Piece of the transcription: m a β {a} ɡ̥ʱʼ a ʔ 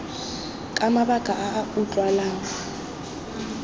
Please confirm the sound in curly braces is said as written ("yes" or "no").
yes